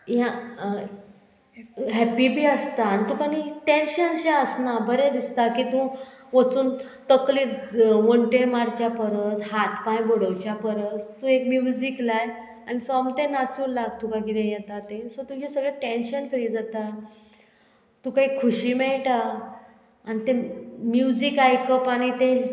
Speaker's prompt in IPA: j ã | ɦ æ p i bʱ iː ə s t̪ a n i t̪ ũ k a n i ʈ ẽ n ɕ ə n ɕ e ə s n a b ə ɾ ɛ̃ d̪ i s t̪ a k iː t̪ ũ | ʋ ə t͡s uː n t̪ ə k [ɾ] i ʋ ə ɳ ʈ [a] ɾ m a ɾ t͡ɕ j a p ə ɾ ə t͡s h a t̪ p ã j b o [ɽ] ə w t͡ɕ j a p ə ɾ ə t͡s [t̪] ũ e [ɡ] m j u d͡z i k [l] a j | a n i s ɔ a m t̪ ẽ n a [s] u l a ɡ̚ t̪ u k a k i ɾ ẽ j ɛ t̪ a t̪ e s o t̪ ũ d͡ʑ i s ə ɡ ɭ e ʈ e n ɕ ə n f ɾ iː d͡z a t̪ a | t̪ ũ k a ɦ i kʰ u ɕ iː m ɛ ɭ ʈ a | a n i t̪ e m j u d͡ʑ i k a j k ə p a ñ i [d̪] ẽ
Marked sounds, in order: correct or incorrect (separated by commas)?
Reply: incorrect, incorrect, correct, correct, incorrect, correct, incorrect, incorrect